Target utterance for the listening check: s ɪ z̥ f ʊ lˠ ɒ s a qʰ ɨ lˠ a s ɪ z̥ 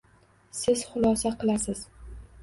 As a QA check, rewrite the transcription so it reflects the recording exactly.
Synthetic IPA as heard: s ɪ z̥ χ ʊ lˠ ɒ s a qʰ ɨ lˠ a s ɪ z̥